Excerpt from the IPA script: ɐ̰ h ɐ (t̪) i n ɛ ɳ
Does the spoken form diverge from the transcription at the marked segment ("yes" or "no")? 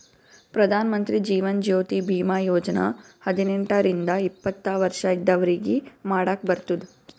yes